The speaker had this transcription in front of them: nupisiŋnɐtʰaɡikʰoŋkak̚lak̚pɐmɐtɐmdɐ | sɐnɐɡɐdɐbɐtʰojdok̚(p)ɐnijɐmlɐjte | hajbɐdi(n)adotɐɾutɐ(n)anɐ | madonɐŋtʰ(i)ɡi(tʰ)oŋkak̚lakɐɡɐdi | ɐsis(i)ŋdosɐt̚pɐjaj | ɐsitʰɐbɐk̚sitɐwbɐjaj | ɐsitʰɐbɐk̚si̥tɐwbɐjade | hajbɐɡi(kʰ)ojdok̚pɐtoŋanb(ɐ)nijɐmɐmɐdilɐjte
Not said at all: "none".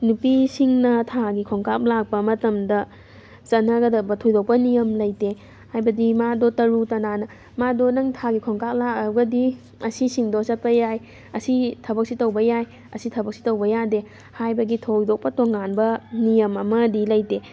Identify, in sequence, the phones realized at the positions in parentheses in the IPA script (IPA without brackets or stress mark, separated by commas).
p, m, n, a, kʰ, i, tʰ, ɐ